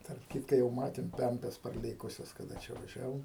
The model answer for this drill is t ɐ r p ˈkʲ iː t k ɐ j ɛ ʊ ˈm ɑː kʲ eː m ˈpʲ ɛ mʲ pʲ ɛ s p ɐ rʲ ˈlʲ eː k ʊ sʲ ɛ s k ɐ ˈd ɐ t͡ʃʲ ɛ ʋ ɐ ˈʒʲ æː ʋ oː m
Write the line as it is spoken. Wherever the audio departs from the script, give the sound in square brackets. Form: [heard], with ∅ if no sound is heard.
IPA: t ɐ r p ˈkʲ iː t k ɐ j ɛ ʊ ˈm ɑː [tʲ] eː m ˈpʲ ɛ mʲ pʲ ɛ s p ɐ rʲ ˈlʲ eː k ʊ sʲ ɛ s k ɐ ˈd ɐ t͡ʃʲ ɛ ʋ ɐ ˈʒʲ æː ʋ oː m